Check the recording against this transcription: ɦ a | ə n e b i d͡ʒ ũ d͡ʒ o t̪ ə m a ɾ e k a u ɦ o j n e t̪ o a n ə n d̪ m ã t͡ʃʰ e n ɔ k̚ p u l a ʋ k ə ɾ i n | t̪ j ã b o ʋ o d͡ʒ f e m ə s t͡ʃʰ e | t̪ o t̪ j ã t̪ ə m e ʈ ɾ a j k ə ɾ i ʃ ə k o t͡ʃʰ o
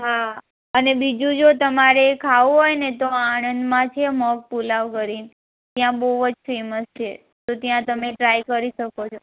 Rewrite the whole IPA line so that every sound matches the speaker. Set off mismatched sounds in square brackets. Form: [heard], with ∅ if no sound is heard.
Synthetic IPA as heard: ɦ a | ə n e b i d͡ʒ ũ d͡ʒ o t̪ ə m a ɾ e [kʰ] a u ɦ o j n e t̪ o a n ə n d̪ m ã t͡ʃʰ e [m] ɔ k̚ p u l a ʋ k ə ɾ i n | t̪ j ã b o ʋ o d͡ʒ f e m ə s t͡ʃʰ e | t̪ o t̪ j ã t̪ ə m e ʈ ɾ a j k ə ɾ i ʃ ə k o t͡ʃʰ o